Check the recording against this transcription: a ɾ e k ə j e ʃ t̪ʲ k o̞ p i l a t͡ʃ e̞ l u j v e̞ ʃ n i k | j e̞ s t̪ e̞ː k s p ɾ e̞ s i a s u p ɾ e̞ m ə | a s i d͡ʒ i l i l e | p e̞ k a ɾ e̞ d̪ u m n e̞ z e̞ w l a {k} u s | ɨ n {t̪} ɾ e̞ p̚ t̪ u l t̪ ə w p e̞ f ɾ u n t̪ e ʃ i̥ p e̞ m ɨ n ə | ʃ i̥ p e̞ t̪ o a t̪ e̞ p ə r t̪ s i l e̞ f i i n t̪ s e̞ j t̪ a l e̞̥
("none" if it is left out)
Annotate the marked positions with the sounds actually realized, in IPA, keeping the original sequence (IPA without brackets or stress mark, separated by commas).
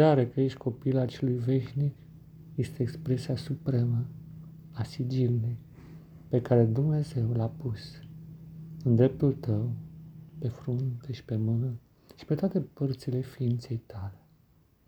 p, d̪